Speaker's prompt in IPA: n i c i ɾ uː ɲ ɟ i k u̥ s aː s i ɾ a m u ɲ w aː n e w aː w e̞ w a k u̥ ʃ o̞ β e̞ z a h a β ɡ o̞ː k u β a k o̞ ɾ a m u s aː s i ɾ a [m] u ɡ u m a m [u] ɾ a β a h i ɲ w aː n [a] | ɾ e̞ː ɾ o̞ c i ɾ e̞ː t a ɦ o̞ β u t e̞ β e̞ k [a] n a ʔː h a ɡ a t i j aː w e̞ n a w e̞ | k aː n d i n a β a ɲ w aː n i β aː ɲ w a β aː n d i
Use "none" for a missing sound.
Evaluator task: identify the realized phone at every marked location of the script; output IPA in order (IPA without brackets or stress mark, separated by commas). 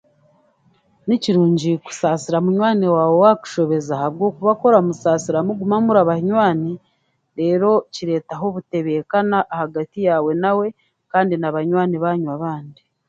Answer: m, u, i, a